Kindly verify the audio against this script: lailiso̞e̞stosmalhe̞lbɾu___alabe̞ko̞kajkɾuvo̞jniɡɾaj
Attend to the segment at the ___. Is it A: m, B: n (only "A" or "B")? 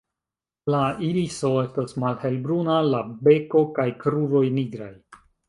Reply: B